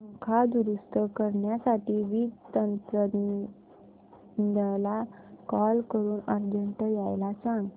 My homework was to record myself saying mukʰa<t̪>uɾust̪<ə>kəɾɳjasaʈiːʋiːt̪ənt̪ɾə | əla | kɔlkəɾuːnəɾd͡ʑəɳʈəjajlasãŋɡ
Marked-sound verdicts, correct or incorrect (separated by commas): incorrect, correct